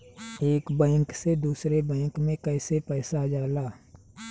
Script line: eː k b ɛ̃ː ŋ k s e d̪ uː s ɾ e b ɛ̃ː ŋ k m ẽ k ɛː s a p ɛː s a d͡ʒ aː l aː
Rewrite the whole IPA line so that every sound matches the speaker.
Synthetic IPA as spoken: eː k b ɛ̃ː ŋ k s e d̪ uː s ɾ e b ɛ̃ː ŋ k m ẽ k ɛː s e p ɛː s a d͡ʒ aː l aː